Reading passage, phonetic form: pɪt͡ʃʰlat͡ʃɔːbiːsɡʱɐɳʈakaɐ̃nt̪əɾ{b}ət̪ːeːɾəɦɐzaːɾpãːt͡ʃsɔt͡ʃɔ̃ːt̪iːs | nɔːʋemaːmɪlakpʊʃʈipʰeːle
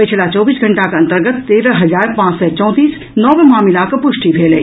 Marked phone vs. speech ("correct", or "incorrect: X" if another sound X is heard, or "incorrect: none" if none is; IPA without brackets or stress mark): incorrect: ɡ